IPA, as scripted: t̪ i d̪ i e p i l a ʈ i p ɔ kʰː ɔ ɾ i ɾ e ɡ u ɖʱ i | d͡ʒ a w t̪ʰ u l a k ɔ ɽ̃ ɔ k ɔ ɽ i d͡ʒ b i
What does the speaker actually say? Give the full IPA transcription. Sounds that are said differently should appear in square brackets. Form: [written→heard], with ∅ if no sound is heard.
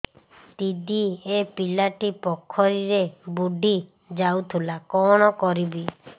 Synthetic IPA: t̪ i d̪ i e p i l a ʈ i p ɔ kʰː ɔ ɾ i ɾ e [ɡ→b] u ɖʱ i | d͡ʒ a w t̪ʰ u l a k ɔ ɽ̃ ɔ k ɔ [ɽ→ɾ] i [d͡ʒ→∅] b i